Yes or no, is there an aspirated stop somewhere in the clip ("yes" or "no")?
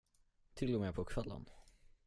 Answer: yes